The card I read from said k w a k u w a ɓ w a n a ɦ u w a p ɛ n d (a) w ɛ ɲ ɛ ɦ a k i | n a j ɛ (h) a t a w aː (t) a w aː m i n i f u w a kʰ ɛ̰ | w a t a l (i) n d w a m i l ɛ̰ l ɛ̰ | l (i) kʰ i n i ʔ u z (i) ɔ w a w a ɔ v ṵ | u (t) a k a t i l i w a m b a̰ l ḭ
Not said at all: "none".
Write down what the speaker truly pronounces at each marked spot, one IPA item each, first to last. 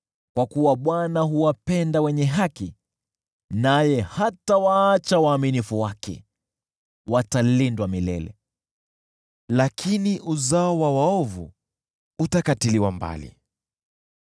a, h, t͡ʃ, i, a, a, t

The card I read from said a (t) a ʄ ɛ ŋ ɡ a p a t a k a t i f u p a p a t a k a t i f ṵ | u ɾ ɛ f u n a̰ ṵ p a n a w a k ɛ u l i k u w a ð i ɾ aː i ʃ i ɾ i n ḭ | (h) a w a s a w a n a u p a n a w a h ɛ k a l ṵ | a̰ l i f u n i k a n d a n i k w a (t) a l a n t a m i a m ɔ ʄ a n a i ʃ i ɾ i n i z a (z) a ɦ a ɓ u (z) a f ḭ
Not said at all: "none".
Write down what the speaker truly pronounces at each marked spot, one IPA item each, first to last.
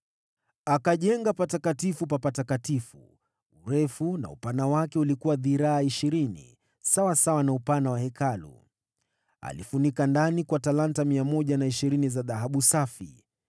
k, s, t, ð, s

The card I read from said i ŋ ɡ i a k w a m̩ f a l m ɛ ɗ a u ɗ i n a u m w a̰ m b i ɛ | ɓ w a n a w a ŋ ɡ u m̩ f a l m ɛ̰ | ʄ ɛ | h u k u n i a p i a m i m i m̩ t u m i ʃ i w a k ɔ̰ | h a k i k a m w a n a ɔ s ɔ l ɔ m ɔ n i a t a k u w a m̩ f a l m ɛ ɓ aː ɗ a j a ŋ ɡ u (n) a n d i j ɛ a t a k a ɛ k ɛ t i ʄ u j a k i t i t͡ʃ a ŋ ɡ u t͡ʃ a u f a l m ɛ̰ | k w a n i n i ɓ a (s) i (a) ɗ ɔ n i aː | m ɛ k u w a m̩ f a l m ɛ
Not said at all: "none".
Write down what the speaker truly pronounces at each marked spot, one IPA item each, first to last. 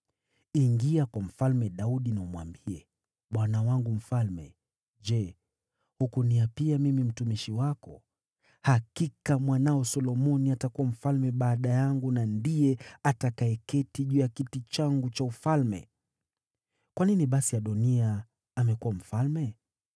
n, s, a

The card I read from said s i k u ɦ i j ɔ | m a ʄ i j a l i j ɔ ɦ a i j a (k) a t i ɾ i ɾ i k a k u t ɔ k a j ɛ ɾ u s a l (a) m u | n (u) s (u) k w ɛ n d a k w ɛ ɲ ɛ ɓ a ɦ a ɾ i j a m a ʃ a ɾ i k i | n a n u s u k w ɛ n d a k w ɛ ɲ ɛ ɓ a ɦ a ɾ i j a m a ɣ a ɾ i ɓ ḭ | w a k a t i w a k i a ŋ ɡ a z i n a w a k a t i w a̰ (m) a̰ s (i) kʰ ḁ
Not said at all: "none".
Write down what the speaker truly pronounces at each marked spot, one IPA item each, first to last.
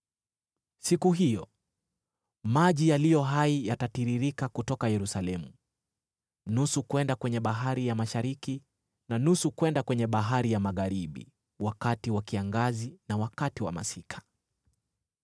t, ɛ, u, u, m, i

